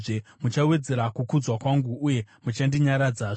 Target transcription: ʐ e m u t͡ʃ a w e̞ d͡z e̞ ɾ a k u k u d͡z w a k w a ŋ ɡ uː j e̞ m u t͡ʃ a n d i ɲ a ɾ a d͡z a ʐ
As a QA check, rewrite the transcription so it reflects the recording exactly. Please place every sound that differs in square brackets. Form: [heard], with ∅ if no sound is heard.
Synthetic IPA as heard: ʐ e m u t͡ʃ a w e̞ d͡z e̞ ɾ a k u k u d͡z w a k w a ŋ ɡ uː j e̞ m u t͡ʃ a n d i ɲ a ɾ a d͡z a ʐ